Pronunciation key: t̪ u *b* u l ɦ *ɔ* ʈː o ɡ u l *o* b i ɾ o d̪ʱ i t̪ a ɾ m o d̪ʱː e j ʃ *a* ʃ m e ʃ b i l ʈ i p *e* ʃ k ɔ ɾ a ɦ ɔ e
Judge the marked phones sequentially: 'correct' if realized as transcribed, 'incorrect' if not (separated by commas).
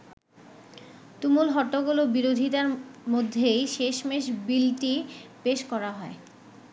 incorrect, correct, correct, incorrect, correct